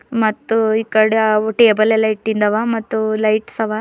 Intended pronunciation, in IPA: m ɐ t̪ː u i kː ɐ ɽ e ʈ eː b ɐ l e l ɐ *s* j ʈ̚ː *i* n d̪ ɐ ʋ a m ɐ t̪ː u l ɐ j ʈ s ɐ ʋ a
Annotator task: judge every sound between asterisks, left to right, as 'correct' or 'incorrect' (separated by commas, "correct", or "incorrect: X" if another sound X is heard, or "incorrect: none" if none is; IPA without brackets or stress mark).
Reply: incorrect: none, correct